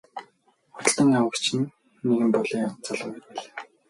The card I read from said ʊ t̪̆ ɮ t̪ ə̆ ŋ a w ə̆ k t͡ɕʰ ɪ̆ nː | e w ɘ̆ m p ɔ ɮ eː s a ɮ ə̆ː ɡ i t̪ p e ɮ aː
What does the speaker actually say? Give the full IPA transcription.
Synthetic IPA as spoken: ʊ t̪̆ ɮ t̪ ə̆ ŋ a w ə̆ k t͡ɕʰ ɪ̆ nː | e ɣ ɘ̆ m p ɔ ɮ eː t͡s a ɮ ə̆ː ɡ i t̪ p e ɮ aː